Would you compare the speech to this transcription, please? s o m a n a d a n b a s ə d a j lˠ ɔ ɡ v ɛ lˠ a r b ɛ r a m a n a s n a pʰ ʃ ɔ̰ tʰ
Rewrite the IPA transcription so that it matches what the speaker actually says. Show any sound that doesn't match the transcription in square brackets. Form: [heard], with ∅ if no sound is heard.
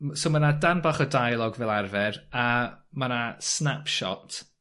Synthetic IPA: s o m a n a d a n b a [χ] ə d a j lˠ ɔ ɡ v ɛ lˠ a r [v] ɛ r a m a n a s n a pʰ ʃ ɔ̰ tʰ

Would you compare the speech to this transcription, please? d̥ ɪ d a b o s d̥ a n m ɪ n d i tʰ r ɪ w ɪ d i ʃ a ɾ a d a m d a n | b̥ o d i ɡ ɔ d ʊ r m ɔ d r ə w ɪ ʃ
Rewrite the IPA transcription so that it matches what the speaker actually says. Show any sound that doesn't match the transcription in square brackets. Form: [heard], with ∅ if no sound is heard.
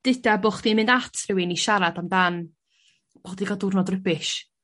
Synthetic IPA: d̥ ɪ d a b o [χ] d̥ [i] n m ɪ n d [a] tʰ r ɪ w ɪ [n] i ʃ a ɾ a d a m d a n | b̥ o d i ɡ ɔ d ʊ r [n] ɔ d r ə [b] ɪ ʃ

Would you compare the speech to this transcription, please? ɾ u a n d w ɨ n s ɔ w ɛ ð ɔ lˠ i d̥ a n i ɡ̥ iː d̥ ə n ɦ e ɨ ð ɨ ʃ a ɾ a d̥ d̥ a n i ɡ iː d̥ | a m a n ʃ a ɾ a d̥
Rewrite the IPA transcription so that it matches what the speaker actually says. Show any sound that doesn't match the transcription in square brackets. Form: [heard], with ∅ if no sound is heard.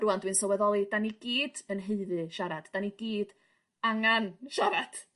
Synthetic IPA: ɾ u a n d w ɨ n s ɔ w ɛ ð ɔ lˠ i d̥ a n i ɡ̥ iː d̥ ə n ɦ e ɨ ð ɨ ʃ a ɾ a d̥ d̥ a n i ɡ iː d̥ | a [ŋ] a n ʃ a ɾ a d̥

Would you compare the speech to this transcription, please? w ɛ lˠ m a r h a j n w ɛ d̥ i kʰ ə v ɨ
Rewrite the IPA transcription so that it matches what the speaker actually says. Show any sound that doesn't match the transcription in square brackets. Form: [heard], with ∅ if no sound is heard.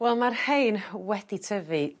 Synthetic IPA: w ɛ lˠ m a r h [e] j n w ɛ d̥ i [tʰ] ə v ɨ

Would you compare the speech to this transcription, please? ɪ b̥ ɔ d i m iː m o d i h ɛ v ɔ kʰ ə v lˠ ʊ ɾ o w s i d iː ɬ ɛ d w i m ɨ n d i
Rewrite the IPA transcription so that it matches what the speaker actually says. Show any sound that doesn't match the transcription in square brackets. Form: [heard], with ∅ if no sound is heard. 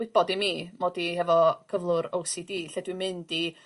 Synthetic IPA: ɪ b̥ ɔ d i m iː m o d i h ɛ v ɔ kʰ ə v lˠ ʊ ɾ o w s i d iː ɬ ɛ d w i m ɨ n d i

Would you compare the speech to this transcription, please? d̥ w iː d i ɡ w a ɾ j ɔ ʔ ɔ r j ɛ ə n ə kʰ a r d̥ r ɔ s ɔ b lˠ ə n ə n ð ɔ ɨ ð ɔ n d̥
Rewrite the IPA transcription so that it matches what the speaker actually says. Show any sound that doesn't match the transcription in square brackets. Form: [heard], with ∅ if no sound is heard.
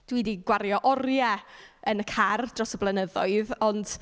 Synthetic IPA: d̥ w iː d i ɡ w a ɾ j ɔ ʔ ɔ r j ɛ ə n ə kʰ a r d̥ r ɔ s ɔ b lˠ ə n ə [∅] ð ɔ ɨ ð ɔ n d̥

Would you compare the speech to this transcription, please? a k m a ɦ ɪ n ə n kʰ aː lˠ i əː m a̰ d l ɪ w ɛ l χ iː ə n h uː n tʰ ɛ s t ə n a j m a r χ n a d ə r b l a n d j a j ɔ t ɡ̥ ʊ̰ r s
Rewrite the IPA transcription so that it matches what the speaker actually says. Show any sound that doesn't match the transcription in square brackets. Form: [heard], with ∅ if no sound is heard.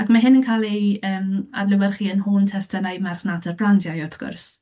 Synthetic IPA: a k m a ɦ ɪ n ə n kʰ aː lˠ i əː m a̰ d l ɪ w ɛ [r] χ iː ə n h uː n tʰ ɛ s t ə n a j m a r χ n a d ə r b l a n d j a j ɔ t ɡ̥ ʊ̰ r s

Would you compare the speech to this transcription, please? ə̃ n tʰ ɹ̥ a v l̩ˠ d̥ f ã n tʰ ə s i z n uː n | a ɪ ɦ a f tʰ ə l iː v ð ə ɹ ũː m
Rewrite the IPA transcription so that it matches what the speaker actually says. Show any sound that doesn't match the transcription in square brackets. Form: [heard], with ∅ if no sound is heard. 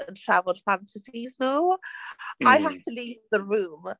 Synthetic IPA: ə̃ n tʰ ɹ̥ a v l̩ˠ d̥ f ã n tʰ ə s i z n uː [∅] | a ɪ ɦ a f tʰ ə l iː v ð ə ɹ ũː m

